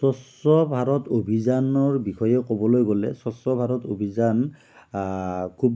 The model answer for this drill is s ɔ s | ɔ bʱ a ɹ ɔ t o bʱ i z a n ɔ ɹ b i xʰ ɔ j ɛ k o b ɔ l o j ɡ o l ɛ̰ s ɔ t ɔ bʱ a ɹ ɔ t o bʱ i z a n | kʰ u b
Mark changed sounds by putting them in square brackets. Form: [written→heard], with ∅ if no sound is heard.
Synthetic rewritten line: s ɔ s | ɔ bʱ a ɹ ɔ t o bʱ i z a n ɔ ɹ b i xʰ ɔ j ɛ k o b ɔ l o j ɡ o l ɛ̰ s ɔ [t→s] ɔ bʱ a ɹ ɔ t o bʱ i z a n | kʰ u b